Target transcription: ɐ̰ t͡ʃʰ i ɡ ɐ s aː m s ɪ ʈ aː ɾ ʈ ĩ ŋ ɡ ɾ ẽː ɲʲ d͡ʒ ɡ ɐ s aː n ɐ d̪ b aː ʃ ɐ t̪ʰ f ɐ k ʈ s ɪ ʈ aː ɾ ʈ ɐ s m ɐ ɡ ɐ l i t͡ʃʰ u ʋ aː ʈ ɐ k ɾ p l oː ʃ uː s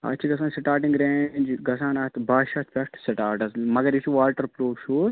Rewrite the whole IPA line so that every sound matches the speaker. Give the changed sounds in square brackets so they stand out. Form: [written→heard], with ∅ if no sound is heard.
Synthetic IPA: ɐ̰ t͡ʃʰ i ɡ ɐ s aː [m→n] s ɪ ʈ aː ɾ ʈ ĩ ŋ ɡ ɾ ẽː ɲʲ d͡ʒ ɡ ɐ s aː n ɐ [d̪→t̪] b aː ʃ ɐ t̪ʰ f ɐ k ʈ s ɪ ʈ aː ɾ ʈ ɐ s m ɐ ɡ ɐ [l→ɾ] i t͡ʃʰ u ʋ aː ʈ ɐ [k→∅] ɾ p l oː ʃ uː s